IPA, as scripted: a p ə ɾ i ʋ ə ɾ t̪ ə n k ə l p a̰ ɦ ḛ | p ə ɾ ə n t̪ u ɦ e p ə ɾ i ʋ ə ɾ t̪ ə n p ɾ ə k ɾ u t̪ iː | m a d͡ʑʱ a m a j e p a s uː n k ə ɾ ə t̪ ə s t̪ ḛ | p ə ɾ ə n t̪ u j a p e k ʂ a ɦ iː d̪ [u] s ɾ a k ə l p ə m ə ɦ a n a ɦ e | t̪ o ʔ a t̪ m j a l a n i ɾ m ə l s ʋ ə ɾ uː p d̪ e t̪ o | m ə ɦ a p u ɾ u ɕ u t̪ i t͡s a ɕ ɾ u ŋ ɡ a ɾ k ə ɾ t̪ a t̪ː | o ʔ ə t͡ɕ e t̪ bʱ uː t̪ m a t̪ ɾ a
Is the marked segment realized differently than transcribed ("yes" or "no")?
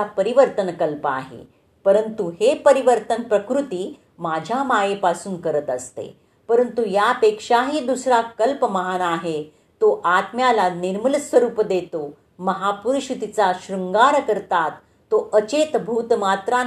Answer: no